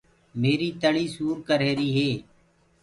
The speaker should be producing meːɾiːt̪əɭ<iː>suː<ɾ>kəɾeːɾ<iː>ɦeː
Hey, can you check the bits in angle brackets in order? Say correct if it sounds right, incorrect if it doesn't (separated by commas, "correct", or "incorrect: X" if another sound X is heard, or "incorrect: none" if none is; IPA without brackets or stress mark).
correct, correct, correct